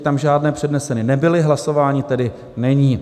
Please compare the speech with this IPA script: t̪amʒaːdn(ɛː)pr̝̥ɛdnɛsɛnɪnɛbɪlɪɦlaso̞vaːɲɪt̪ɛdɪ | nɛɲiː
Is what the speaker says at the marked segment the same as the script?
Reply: yes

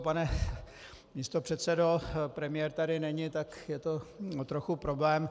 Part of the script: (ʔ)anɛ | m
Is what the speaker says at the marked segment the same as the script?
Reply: no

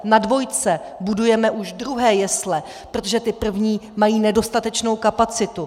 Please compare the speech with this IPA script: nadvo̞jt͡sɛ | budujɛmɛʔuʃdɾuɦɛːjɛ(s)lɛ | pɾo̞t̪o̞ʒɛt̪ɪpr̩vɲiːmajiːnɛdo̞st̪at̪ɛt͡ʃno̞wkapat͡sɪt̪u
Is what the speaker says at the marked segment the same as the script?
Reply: yes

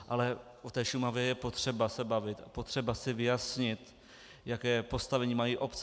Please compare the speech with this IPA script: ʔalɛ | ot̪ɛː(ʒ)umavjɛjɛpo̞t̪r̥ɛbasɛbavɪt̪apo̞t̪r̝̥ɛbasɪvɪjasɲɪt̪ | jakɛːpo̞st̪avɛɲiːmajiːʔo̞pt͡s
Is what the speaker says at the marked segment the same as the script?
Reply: no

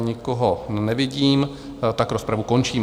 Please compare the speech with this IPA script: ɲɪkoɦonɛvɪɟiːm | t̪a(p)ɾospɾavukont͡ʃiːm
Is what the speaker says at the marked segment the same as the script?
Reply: no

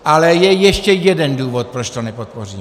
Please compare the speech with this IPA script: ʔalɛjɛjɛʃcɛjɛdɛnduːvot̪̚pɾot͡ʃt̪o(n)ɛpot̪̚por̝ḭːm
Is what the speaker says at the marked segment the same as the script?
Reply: yes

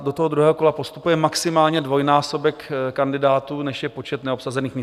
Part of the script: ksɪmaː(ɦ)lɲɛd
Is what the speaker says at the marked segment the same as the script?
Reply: no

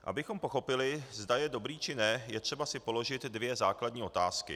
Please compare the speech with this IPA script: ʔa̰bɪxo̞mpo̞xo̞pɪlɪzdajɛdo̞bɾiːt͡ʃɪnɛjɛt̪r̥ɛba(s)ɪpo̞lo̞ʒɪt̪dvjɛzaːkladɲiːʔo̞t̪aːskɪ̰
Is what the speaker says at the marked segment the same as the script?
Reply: yes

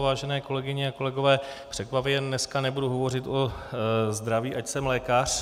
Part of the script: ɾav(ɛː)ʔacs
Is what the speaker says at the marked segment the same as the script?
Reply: no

